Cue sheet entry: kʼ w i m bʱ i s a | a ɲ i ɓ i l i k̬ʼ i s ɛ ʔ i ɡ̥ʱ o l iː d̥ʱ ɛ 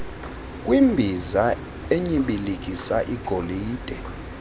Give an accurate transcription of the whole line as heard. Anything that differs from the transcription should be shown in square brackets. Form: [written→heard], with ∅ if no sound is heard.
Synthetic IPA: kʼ w i m bʱ i [s→z] a | [a→e] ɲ i ɓ i l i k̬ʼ i s [ɛ→a] ʔ i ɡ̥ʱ o l iː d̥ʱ ɛ